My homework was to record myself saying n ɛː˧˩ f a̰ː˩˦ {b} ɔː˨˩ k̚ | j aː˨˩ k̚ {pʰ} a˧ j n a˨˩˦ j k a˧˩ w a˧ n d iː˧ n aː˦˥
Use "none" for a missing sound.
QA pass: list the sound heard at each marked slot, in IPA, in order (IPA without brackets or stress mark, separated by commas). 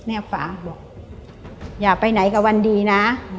b, p